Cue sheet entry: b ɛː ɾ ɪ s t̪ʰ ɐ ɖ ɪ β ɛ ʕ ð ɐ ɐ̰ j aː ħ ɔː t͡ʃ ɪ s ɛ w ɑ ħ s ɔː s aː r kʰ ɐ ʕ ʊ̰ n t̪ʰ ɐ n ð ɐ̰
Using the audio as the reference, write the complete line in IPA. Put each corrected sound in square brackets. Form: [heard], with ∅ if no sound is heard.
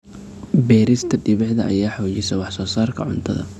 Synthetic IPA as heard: b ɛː ɾ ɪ s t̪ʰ ɐ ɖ ɪ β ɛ ʕ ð ɐ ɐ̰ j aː ħ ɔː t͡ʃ ɪ s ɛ w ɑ ħ s ɔː s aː r kʰ ɐ ʕ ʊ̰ n t̪ʰ ɐ [∅] ð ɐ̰